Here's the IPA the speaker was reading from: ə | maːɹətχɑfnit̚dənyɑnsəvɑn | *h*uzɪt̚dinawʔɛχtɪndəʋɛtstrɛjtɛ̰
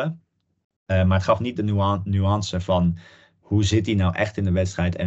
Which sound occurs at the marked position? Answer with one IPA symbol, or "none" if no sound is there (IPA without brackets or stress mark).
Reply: h